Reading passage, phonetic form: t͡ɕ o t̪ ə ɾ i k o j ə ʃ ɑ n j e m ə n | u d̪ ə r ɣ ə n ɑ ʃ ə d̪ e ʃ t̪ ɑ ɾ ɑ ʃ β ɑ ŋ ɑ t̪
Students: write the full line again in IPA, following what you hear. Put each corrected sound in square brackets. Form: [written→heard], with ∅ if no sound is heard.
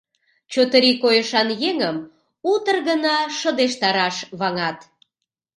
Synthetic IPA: t͡ɕ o t̪ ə ɾ i k o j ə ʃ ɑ n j e [m→ŋ] ə [n→m] | u [d̪→t̪] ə r ɣ ə n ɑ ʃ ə d̪ e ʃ t̪ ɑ ɾ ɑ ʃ β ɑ ŋ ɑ t̪